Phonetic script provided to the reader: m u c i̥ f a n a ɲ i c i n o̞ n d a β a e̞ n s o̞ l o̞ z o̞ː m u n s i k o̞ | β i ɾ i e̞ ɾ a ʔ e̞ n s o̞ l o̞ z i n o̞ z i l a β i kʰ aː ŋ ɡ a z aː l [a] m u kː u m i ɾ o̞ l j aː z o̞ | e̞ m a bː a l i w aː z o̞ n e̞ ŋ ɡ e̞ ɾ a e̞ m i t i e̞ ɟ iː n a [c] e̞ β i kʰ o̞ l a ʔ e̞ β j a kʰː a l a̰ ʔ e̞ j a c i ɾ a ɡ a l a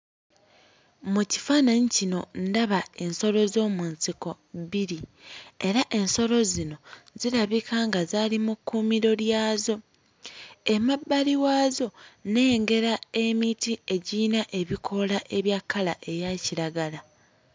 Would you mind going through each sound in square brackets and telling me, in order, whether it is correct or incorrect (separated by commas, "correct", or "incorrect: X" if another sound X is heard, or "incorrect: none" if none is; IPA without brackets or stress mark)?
incorrect: i, incorrect: ʔ